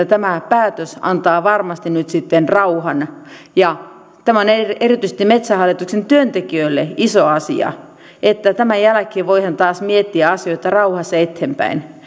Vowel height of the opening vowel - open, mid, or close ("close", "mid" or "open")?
open